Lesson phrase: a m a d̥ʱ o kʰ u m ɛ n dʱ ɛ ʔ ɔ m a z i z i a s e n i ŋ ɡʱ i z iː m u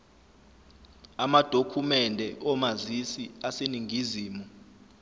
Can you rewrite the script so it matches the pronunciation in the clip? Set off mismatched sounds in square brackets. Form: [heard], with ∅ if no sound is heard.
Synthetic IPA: a m a d̥ʱ o kʰ u m ɛ n dʱ ɛ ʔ ɔ m a z i [s] i a s e n i ŋ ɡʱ i z iː m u